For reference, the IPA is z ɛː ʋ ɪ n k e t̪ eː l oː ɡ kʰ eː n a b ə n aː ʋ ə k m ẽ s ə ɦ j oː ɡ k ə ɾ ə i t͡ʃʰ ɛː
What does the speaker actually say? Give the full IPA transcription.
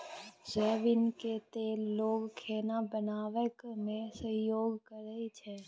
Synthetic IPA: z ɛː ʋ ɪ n k e t̪ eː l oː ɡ kʰ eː n a b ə n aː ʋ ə k m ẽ s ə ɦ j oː ɡ k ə ɾ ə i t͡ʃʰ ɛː